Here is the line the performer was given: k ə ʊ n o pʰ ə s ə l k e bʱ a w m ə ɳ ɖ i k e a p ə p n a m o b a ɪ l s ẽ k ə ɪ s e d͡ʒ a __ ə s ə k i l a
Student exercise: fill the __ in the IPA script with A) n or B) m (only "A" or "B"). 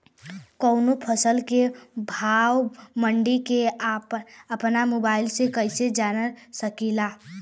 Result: A